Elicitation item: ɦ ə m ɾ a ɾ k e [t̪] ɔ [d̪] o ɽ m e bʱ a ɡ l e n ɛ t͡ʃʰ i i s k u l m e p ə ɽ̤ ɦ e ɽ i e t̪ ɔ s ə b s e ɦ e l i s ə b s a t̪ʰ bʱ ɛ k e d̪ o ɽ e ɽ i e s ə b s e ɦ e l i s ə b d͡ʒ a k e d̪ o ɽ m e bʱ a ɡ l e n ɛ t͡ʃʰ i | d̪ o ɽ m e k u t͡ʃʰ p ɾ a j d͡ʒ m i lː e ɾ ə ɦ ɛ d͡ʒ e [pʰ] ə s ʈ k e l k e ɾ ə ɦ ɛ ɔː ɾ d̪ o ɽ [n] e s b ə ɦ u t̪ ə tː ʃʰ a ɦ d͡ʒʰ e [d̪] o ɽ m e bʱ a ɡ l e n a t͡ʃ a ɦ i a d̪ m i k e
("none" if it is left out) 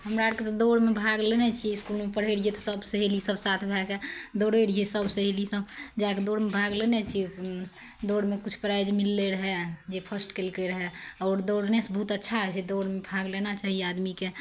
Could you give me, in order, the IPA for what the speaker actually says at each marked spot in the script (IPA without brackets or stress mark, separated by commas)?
t̪, d̪, pʰ, n, d̪